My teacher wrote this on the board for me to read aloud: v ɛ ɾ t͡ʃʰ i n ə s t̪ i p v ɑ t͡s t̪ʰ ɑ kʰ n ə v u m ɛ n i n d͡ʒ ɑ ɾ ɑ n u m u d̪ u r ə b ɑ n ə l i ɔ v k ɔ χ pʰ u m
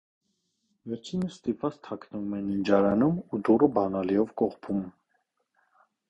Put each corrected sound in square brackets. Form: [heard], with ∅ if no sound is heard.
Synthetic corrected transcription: v ɛ ɾ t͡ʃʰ i n ə s t̪ i p v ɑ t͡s t̪ʰ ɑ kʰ n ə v u m ɛ n i n d͡ʒ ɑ ɾ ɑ n u m u d̪ u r ə b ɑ n [ɑ] l i ɔ v k ɔ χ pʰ u m